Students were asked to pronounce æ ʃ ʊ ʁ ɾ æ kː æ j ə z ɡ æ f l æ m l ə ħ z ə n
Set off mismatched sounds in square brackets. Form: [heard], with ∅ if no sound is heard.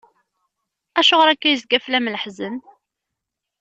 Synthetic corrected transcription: æ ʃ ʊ ʁ ɾ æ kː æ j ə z ɡ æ f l æ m l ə ħ z ə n